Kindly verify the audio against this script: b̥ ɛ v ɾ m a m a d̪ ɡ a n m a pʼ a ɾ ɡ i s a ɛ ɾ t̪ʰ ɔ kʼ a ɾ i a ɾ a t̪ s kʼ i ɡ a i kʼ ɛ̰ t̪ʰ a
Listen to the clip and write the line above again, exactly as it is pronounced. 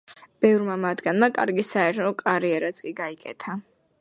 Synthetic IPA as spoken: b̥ ɛ v ɾ m a m a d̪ ɡ a n m a kʼ a ɾ ɡ i s a ɛ ɾ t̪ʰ ɔ kʼ a ɾ i ɛ ɾ a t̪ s kʼ i ɡ a i kʼ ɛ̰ t̪ʰ a

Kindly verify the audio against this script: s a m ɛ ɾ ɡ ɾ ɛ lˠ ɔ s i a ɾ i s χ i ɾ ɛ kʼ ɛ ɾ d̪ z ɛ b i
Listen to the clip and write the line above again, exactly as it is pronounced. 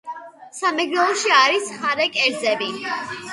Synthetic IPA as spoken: s a m ɛ ɡ ɾ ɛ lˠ ɔ ʃ i a ɾ i s χ a ɾ ɛ kʼ ɛ ɾ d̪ z ɛ b i

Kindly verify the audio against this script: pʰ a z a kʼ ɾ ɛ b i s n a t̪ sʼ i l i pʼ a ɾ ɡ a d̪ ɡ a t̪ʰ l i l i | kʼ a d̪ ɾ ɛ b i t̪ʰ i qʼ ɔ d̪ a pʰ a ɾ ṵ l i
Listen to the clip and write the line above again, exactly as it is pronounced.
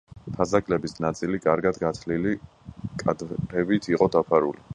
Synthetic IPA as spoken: pʰ a z a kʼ l ɛ b i s n a t̪ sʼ i l i kʼ a ɾ ɡ a d̪ ɡ a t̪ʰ l i l i | kʼ a d̪ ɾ ɛ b i t̪ʰ i qʼ ɔ d̪ a pʰ a ɾ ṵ l i

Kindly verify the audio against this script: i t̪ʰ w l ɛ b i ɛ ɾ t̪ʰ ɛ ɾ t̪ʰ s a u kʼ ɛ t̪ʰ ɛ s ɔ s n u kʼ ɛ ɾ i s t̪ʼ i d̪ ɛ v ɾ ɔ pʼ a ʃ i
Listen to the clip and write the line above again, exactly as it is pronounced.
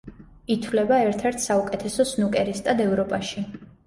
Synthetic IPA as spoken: i t̪ʰ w l ɛ b a ɛ ɾ t̪ʰ ɛ ɾ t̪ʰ s a u kʼ ɛ t̪ʰ ɛ s ɔ s n u kʼ ɛ ɾ i s t̪ʼ a d̪ ɛ v ɾ ɔ pʼ a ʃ i

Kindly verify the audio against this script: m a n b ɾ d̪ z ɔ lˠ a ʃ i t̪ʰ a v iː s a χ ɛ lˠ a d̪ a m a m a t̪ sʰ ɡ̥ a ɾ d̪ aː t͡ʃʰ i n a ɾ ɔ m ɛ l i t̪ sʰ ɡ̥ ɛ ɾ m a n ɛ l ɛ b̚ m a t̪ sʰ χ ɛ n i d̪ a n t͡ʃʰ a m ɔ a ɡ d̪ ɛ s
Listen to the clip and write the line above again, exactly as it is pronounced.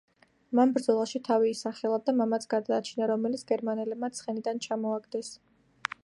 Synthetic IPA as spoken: m a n b ɾ d̪ z ɔ lˠ a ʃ i t̪ʰ a v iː s a χ ɛ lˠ a d̪ a m a m a t̪ sʰ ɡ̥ a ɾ d̪ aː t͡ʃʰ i n a ɾ ɔ m ɛ l i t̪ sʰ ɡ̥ ɛ ɾ m a n ɛ l ɛ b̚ m a t̪ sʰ χ ɛ n i d̪ a n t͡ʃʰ a m ɔ a ɡ d̪ ɛ s

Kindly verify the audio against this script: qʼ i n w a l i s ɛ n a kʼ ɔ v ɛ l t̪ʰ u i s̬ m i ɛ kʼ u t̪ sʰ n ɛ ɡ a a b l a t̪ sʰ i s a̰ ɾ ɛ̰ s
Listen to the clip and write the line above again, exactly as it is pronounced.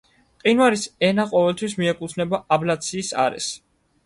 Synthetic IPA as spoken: qʼ i n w a ɾ i s ɛ n a qʼ ɔ v ɛ l t̪ʰ w i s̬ m i ɛ kʼ u t̪ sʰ n ɛ b a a b l a t̪ sʰ iː s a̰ ɾ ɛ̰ s

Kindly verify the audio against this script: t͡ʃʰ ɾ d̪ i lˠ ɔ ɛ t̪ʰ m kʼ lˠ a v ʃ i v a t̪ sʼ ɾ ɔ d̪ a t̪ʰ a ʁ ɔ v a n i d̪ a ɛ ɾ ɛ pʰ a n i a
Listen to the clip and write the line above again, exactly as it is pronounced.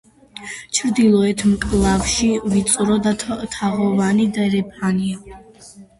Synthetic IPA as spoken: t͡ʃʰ ɾ d̪ i lˠ ɔ ɛ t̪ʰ m kʼ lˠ a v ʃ i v i t̪ sʼ ɾ ɔ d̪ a t̪ʰ a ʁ ɔ v a n i d̪ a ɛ ɾ ɛ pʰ a n i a

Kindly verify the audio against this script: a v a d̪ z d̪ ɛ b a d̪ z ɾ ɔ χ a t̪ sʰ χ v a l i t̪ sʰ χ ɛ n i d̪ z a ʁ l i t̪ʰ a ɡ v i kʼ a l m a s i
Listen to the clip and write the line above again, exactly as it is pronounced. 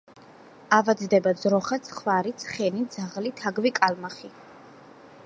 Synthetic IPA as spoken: a v a d̪ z d̪ ɛ b a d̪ z ɾ ɔ χ a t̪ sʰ χ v a ɾ i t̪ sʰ χ ɛ n i d̪ z a ʁ l i t̪ʰ a ɡ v i kʼ a l m a χ i

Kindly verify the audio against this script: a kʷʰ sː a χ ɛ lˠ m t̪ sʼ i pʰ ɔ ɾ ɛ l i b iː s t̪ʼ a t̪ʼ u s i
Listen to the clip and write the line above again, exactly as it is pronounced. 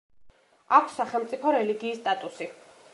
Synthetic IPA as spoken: a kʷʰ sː a χ ɛ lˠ m t̪ sʼ i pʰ ɔ ɾ ɛ l i ɡ iː s t̪ʼ a t̪ʼ u s i

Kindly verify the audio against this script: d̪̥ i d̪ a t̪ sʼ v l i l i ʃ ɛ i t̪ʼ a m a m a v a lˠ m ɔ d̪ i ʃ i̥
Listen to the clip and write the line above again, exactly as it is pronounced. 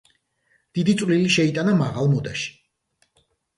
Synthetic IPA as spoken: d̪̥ i d̪ i t̪ sʼ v l i l i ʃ ɛ i t̪ʼ a n a m a ʁ a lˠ m ɔ d̪ a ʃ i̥

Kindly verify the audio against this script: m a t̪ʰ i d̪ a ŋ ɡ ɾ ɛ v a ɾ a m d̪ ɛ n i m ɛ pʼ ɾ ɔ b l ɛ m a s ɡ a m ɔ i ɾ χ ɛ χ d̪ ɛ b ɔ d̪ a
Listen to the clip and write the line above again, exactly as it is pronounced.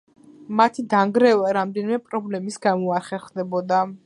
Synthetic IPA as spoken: m a t̪ʰ i d̪ a ŋ ɡ ɾ ɛ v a ɾ a m d̪ ɛ n i m ɛ pʼ ɾ ɔ b l ɛ m i s ɡ a m ɔ a ɾ χ ɛ χ d̪ ɛ b ɔ d̪ a

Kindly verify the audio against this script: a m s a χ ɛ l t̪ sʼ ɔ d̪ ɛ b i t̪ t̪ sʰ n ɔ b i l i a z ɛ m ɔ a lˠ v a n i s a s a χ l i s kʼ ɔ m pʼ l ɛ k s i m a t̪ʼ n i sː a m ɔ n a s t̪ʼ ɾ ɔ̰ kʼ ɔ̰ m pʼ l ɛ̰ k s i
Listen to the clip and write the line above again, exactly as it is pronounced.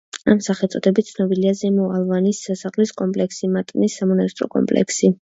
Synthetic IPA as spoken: a m s a χ ɛ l t̪ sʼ ɔ d̪ ɛ b i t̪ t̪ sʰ n ɔ b i l i a z ɛ m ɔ a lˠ v a n i s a s a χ l i s kʼ ɔ m pʼ l ɛ k s i m a t̪ʼ n i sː a m ɔ n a s t̪ʼ ɾ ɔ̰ kʼ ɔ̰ m pʼ l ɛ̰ k s i

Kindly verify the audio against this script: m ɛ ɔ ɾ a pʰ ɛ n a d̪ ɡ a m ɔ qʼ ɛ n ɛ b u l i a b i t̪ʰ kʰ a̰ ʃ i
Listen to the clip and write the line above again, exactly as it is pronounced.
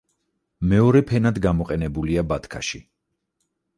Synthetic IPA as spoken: m ɛ ɔ ɾ ɛ pʰ ɛ n a d̪ ɡ a m ɔ qʼ ɛ n ɛ b u l i a b a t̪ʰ kʰ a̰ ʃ i

